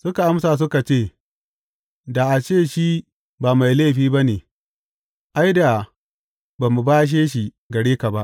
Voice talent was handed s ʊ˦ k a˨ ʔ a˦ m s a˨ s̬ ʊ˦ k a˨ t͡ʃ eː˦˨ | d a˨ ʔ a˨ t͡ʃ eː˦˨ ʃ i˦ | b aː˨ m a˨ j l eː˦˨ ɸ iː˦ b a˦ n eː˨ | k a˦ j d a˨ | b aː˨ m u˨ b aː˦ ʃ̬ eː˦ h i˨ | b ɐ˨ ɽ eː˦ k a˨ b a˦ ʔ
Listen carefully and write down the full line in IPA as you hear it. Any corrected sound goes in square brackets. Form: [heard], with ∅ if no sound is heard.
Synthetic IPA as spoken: s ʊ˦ k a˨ ʔ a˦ m s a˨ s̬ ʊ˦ k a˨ t͡ʃ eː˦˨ | d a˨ ʔ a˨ t͡ʃ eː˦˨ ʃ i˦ | b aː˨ m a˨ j l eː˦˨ ɸ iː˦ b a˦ n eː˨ | [ʔ] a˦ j d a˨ | b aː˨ m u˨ b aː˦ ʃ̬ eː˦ [ʃ] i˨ | [ɡ] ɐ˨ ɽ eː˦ k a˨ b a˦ ʔ